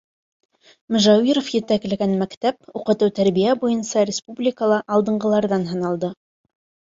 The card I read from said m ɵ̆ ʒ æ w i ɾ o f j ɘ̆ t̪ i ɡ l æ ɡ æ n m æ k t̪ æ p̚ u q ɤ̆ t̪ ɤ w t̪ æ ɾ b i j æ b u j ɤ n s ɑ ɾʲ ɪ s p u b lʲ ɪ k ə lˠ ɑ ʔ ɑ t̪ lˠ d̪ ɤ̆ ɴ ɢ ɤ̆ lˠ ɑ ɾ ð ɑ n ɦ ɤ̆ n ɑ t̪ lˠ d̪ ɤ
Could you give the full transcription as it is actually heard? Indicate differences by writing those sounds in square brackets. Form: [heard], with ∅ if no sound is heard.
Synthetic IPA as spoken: m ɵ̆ ʒ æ w i ɾ o f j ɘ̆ t̪ [æ] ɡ l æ ɡ æ n m æ k t̪ æ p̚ u q ɤ̆ t̪ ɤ w t̪ æ ɾ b i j æ b u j ɤ n s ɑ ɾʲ ɪ s p u b lʲ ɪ k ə lˠ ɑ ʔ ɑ [∅] lˠ d̪ ɤ̆ ɴ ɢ ɤ̆ lˠ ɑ ɾ ð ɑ n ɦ ɤ̆ n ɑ [∅] lˠ d̪ ɤ